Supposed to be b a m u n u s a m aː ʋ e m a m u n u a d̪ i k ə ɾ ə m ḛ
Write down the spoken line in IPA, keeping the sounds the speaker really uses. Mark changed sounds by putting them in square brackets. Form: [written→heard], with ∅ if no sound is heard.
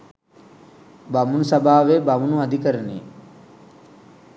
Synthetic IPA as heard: b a m u n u s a [m→b] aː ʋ e [m→b] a m u n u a d̪ i k ə ɾ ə [m→n] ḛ